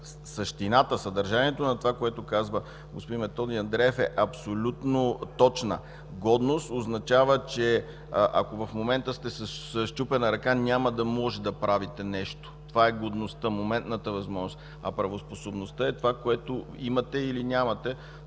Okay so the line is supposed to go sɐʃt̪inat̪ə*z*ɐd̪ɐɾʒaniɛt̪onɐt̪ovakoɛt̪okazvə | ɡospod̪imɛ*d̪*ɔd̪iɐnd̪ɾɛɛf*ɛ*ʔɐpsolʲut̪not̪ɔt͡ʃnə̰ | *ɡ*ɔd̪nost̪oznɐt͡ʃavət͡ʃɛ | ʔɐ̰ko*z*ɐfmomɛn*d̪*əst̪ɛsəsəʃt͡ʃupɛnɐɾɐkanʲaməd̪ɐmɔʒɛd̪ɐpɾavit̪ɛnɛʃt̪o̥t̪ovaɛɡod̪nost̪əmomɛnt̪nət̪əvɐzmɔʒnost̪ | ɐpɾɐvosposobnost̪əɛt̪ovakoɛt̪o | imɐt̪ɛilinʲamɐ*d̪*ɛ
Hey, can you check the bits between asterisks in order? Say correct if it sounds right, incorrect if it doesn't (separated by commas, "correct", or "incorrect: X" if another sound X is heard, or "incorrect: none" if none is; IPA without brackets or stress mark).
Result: incorrect: s, incorrect: t̪, correct, correct, incorrect: v, incorrect: t̪, incorrect: t̪